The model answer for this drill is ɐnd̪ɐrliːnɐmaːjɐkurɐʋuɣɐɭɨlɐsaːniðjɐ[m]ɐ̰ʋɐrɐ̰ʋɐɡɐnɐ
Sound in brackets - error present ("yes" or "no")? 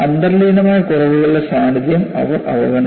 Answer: no